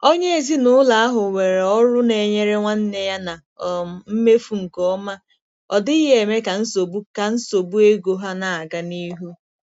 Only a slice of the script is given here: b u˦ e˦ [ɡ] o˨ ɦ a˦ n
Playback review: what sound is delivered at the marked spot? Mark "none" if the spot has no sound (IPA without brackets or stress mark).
ɡ